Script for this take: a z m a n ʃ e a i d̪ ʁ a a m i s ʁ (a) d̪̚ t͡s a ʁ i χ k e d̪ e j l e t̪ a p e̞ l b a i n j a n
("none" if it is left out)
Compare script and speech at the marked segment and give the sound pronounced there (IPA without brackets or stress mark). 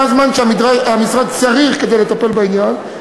a